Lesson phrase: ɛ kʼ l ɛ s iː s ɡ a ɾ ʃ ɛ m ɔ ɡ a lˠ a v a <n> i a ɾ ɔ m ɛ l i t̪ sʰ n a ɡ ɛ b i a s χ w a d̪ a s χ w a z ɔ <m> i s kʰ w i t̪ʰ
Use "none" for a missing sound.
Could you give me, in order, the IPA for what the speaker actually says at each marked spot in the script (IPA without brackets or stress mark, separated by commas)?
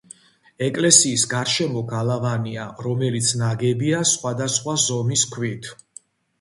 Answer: n, m